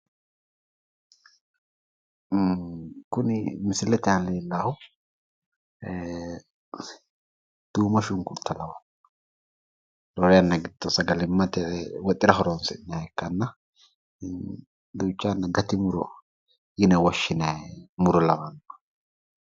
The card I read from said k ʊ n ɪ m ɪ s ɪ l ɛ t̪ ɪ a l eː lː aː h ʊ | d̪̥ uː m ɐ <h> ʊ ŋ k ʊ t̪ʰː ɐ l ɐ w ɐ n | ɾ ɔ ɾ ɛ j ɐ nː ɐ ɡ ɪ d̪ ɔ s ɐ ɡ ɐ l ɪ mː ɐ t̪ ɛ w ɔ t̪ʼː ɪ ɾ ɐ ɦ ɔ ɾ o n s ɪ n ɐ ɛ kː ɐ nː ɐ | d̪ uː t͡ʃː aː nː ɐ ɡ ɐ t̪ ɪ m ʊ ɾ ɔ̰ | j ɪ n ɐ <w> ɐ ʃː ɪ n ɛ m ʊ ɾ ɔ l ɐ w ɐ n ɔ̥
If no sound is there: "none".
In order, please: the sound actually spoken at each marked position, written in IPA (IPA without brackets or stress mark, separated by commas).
ʃ, w